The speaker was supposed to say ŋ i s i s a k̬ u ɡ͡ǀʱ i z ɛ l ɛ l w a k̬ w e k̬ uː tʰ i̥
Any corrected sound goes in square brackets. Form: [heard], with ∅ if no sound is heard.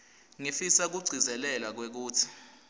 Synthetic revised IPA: ŋ i [f] i s a k̬ u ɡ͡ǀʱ i z ɛ l ɛ l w a k̬ w e k̬ uː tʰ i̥